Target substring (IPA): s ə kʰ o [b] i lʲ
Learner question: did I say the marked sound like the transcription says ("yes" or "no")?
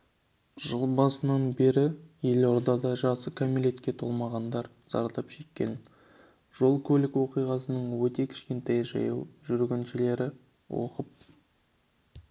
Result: no